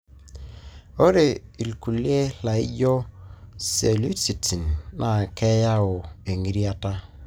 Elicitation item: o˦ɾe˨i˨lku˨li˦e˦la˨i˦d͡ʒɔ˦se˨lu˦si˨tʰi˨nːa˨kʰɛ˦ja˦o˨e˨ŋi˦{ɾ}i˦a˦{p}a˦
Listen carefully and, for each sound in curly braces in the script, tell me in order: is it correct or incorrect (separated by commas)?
correct, incorrect